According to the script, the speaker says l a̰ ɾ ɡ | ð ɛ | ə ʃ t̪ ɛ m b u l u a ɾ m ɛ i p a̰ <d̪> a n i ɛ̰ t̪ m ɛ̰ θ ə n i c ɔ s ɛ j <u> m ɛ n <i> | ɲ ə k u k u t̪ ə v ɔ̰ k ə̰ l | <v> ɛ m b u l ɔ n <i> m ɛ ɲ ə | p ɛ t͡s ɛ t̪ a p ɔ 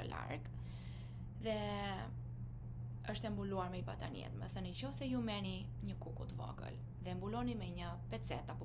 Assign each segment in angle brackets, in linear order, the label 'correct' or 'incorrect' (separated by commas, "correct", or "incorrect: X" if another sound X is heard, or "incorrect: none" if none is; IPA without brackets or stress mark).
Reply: incorrect: t̪, correct, correct, incorrect: ð, correct